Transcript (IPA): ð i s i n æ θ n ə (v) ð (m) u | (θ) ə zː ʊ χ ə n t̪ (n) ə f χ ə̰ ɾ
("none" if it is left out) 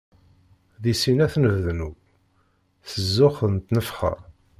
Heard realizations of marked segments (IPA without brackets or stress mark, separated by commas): v, n, θ, n